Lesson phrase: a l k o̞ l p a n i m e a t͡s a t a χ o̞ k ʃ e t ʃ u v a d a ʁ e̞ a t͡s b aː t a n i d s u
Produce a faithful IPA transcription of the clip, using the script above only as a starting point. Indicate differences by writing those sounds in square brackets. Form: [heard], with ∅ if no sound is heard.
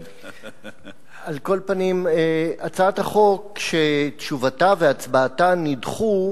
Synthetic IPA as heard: a l k o̞ l p a n i m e a t͡s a t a χ o̞ k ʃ e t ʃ u v a [t] a [v] e̞ a t͡s b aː t a n i d [χ] u